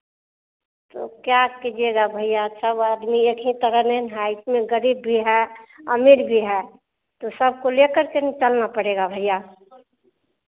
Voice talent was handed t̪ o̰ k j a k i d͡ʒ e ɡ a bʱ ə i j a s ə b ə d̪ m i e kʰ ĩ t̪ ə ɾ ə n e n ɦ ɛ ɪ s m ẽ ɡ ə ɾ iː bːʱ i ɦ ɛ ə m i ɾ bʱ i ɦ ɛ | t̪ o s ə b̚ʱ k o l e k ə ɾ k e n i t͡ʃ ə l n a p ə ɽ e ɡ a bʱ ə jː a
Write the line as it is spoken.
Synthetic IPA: t̪ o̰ k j a k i d͡ʒ e ɡ a bʱ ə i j a s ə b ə d̪ m i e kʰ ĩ t̪ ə ɾ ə n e n ɦ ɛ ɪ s m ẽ ɡ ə ɾ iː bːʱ i ɦ ɛ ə m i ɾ bʱ i ɦ ɛ | t̪ o s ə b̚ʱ k o l e k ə ɾ k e n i t͡ʃ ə l n a p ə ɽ e ɡ a bʱ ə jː a

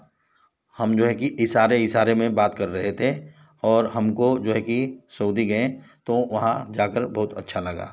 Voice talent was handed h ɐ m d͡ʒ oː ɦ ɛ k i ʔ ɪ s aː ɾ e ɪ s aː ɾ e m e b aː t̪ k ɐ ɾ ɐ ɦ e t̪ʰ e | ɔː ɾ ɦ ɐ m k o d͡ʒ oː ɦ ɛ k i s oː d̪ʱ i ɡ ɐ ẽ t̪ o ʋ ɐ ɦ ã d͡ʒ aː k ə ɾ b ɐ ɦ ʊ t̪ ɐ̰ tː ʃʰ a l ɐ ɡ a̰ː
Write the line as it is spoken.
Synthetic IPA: h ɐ m d͡ʒ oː ɦ ɛ k i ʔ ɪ s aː ɾ e ɪ s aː ɾ e m ẽ b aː t̪ k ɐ ɾː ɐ ɦ e t̪ʰ e | ɔː ɾ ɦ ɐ m k o d͡ʒ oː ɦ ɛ k i s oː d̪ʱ i ɡ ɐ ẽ t̪ o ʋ ɐ ɦ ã d͡ʒ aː k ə ɾ b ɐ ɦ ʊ t̪ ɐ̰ tː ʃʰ a l ɐ ɡ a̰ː

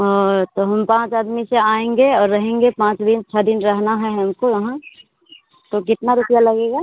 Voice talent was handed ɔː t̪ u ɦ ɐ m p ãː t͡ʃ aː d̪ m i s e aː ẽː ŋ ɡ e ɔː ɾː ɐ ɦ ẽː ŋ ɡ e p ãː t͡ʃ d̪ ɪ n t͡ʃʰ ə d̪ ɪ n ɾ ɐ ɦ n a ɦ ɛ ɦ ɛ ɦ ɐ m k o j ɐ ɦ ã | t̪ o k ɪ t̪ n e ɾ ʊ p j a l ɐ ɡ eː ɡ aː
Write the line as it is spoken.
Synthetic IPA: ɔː t̪ o ɦ ɐ m p ãː t͡ʃ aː d̪ m i s e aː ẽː ŋ ɡ e ɔː ɾː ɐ ɦ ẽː ŋ ɡ e p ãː t͡ʃ d̪ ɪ n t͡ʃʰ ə d̪ ɪ n ɾ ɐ ɦ n a ɦ ɛ ɦ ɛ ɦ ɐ m k o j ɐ ɦ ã | t̪ o k ɪ t̪ n a ɾ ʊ p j a l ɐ ɡ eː ɡ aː

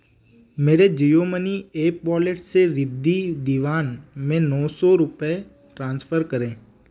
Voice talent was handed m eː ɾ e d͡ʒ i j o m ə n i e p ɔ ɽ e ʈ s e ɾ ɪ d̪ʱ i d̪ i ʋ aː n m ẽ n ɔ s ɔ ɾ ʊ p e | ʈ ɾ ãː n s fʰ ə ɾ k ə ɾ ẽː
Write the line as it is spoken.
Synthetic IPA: m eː ɾ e d͡ʒ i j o m ə n i e p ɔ l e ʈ s e ɾ ɪ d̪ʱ i d̪ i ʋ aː n m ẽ n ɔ s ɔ ɾ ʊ p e | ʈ ɾ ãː n s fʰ ə ɾ k ə ɾ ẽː

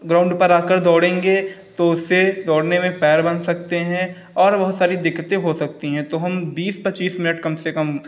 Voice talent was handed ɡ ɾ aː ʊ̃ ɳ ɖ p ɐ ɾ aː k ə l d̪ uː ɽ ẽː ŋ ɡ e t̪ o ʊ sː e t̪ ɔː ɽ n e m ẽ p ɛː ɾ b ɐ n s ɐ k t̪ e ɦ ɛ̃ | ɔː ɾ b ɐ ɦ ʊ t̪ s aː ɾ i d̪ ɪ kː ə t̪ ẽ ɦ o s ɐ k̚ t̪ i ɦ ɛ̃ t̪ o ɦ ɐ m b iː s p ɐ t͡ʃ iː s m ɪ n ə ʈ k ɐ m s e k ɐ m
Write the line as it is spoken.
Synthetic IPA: ɡ ɾ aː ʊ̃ ɳ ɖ p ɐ ɾ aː k ə ɾ d̪ ɔː ɽ ẽː ŋ ɡ e t̪ o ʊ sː e d̪ ɔː ɽ n e m ẽ p ɛː ɾ b ɐ n s ɐ k t̪ e ɦ ɛ̃ | ɔː ɾ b ɐ ɦ ʊ t̪ s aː ɾ i d̪ ɪ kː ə t̪ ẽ ɦ o s ɐ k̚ t̪ i ɦ ɛ̃ t̪ o ɦ ɐ m b iː s p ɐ t͡ʃ iː s m ɪ n ə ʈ k ɐ m s e k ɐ m

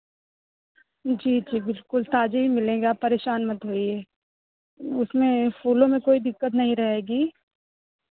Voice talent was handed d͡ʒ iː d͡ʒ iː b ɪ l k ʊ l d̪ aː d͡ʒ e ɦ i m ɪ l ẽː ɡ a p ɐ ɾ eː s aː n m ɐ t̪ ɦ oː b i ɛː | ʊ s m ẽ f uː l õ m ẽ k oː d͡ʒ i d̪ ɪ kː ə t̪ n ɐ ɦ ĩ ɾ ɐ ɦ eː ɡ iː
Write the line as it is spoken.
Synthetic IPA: d͡ʒ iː d͡ʒ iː b ɪ l k ʊ l t̪ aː d͡ʒ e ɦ i m ɪ l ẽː ɡ a p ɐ ɾ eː ʃ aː n m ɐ t̪ ɦ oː i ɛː | ʊ s m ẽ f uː l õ m ẽ k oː i d̪ ɪ kː ə t̪ n ɐ ɦ ĩ ɾ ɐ ɦ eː ɡ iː

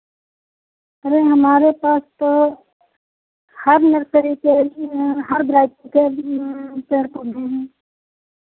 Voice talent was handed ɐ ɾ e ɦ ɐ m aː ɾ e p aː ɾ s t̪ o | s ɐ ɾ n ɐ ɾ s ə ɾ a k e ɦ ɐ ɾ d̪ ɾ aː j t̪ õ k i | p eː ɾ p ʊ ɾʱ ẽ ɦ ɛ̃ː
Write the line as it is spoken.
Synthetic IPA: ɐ ɾ e ɦ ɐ m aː ɾ e p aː s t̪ o | h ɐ ɾ n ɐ ɾ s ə ɾ i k e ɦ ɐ ɾ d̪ ɾ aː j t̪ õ k e | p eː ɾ p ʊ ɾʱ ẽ ɦ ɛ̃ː

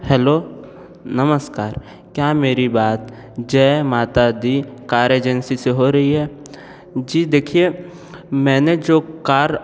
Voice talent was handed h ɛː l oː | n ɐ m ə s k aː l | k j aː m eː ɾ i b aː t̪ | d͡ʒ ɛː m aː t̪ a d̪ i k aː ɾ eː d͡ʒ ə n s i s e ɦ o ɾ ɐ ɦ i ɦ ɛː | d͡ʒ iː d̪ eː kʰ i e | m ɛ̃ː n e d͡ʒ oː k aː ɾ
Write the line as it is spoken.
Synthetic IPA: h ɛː l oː | n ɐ m ə s k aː ɾ | k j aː m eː ɾ i b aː t̪ | d͡ʒ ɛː m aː t̪ a d̪ i k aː ɾ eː d͡ʒ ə n s i s e ɦ o ɾ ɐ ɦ i ɦ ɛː | d͡ʒ iː d̪ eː kʰ i e | m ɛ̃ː n e d͡ʒ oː k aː ɾ

